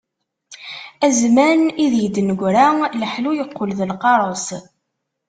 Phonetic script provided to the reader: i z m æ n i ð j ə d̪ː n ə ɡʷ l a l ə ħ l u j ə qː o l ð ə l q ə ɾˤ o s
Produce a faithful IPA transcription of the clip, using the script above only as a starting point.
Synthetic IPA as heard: æ z m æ n i ð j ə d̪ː n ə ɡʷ ɾ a l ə ħ l u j ə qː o l ð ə l q ɑ ɾˤ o s